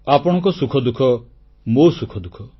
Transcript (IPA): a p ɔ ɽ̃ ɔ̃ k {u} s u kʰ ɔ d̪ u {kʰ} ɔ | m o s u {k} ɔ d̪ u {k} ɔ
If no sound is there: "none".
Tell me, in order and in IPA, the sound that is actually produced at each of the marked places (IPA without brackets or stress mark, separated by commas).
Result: ɔ, kʰ, kʰ, kʰ